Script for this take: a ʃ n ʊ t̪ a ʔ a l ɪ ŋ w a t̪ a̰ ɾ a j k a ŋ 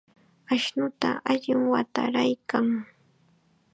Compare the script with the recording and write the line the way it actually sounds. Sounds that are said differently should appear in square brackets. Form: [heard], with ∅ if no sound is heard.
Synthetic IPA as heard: a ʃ n ʊ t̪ a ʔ a [ʎ] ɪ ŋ w a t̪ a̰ ɾ a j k a ŋ